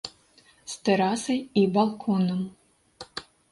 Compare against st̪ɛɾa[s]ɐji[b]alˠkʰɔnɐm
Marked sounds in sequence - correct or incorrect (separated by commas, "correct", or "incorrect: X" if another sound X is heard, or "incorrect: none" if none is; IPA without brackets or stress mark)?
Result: correct, correct